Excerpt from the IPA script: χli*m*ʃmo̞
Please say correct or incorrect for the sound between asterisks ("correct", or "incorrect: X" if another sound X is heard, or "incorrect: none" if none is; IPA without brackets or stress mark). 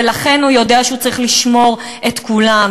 incorrect: none